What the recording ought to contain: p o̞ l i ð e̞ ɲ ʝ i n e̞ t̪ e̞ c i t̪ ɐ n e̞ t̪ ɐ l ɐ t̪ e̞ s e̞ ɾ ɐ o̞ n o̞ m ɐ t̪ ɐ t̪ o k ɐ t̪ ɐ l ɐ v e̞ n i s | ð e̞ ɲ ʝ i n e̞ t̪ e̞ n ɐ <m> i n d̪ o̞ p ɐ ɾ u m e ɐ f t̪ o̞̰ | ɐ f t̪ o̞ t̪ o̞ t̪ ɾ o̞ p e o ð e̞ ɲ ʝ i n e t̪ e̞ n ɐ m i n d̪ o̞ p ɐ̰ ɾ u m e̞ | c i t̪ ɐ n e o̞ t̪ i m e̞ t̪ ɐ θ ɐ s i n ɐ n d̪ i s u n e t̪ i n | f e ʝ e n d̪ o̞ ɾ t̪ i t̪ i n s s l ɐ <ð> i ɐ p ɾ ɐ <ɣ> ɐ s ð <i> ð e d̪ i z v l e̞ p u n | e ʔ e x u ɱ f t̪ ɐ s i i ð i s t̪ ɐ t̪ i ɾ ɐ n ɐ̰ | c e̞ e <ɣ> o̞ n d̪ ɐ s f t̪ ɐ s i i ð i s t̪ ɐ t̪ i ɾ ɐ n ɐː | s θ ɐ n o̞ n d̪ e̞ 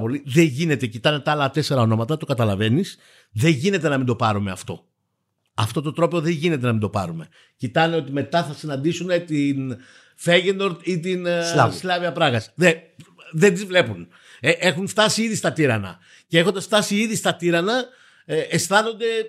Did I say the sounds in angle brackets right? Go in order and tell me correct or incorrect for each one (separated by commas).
correct, incorrect, correct, incorrect, incorrect